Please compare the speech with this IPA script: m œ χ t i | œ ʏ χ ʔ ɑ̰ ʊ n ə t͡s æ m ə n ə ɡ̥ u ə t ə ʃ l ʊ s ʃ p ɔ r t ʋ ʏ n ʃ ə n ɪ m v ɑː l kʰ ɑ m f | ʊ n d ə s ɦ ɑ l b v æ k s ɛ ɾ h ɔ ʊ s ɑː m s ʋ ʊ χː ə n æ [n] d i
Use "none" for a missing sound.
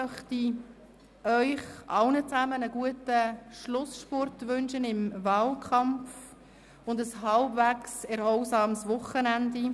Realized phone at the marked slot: n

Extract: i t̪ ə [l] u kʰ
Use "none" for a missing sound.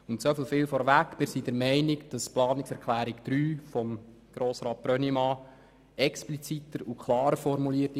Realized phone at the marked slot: ɾ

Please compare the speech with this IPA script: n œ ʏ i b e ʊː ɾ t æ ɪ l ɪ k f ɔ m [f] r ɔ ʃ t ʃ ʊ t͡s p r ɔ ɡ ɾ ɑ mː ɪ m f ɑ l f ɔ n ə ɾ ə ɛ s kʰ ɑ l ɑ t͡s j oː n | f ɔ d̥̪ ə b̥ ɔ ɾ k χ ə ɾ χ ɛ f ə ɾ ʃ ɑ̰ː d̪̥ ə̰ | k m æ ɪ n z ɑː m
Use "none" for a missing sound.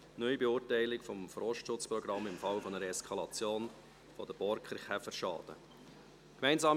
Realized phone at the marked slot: f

